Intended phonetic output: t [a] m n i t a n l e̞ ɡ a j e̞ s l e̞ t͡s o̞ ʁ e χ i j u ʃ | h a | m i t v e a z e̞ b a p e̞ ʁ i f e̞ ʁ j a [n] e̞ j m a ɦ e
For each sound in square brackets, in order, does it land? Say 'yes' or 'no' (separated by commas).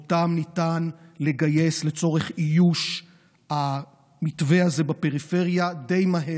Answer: yes, no